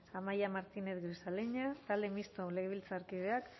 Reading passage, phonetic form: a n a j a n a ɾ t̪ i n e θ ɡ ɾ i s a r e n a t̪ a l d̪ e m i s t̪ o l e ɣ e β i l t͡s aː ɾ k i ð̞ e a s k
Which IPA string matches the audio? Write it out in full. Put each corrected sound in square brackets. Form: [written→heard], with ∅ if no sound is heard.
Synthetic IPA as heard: a [n→m] a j a [n→m] a ɾ t̪ i n e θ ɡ ɾ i s a [r→l] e [n→ɲ] a t̪ a l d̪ e m i s t̪ o l e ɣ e β i l t͡s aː ɾ k i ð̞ e a [s→∅] k